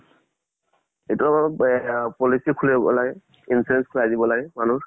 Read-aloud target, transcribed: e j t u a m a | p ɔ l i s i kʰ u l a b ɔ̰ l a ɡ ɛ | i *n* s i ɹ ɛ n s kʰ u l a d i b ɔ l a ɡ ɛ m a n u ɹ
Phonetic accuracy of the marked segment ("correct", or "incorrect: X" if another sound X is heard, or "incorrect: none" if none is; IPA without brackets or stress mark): correct